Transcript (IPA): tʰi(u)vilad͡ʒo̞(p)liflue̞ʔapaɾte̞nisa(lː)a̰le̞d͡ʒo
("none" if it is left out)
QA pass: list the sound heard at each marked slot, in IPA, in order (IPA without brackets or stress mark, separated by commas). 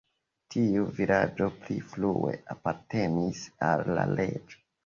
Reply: u, p, lː